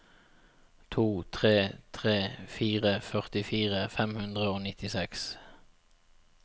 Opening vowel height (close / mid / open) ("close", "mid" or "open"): close